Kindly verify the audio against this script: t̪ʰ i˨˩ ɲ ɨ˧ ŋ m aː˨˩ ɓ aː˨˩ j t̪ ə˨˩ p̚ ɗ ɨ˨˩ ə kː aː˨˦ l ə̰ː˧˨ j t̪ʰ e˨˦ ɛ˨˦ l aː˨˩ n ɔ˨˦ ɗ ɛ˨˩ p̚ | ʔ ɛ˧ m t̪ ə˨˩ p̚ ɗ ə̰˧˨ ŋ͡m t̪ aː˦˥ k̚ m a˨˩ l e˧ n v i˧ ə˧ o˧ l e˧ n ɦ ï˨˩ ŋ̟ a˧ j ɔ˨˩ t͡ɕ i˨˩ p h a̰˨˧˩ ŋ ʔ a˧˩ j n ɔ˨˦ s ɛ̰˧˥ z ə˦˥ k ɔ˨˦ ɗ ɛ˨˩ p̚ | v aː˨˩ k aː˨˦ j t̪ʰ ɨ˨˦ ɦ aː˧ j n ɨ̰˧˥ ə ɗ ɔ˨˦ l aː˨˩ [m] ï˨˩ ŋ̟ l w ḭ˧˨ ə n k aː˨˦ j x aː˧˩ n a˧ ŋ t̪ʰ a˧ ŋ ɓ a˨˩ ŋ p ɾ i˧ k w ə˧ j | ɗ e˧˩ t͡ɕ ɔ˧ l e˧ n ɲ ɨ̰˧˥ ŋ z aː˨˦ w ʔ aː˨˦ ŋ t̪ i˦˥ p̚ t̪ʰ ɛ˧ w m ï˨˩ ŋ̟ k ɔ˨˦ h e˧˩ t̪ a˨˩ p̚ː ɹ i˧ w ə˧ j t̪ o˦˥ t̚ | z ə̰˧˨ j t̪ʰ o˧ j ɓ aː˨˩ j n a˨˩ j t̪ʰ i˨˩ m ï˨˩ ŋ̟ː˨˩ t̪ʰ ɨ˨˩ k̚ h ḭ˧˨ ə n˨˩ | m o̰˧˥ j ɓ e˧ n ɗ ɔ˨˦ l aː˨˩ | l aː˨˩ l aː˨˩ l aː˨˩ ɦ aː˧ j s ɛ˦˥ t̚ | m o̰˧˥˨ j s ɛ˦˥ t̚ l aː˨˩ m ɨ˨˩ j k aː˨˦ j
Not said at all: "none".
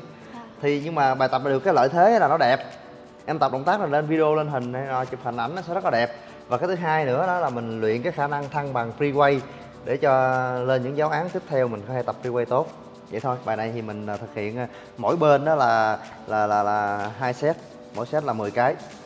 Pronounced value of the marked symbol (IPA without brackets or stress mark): m